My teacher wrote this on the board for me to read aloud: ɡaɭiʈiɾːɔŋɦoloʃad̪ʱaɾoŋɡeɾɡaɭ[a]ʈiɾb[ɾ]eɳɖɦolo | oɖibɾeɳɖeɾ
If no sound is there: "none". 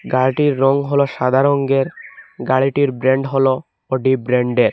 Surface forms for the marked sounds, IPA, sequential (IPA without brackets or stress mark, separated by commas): i, ɾ